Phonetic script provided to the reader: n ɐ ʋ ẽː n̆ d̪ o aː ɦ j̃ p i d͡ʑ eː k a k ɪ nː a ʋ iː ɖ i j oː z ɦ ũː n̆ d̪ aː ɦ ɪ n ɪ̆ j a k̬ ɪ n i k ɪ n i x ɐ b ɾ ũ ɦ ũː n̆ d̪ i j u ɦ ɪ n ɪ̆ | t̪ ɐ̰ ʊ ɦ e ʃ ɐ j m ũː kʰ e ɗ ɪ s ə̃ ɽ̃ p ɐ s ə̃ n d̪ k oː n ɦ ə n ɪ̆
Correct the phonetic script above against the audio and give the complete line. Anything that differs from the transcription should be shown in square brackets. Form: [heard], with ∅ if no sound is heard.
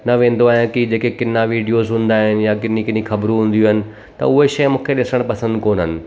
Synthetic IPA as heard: n ɐ ʋ ẽː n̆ d̪ o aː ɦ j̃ [k] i d͡ʑ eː k [e] k ɪ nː a ʋ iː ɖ i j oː z ɦ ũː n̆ d̪ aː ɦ ɪ n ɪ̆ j a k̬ ɪ n i k ɪ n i x ɐ b ɾ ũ ɦ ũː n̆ d̪ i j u ɦ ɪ n ɪ̆ | t̪ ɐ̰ ʊ ɦ e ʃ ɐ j m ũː kʰ e ɗ ɪ s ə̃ ɽ̃ p ɐ s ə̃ n d̪ k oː n ɦ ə n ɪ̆